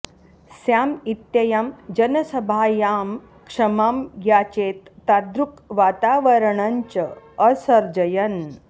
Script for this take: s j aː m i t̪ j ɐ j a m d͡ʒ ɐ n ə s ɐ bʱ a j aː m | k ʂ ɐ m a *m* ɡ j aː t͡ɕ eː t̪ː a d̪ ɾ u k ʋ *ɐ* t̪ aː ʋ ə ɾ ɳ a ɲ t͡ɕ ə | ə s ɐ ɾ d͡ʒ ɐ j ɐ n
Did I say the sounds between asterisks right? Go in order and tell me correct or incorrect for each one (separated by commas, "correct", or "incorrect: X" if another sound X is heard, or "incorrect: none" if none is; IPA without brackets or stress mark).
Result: correct, incorrect: a